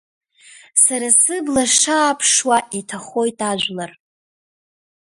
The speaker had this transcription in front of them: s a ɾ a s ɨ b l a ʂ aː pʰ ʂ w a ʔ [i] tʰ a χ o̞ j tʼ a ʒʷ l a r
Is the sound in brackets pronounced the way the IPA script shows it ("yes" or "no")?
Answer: yes